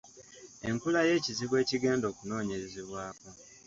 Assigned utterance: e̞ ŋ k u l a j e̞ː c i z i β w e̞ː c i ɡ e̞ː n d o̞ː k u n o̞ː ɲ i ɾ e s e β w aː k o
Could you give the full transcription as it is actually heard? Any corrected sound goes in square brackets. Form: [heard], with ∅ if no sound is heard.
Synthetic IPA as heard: e̞ ŋ k u l a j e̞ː c i z i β w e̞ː c i ɡ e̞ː n d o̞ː k u n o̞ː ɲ [e] ɾ e [z] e β w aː k o

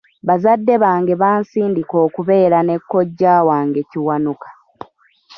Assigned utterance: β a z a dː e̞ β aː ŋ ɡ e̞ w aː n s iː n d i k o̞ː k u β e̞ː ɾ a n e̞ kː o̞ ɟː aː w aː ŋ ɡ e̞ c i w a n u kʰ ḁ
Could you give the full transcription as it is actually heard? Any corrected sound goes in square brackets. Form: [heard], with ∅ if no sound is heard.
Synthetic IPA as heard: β a z a dː e̞ β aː ŋ ɡ e̞ [β] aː n s iː n d i k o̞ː k u β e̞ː ɾ a n e̞ kː o̞ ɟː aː w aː ŋ ɡ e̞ c i w a n u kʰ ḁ

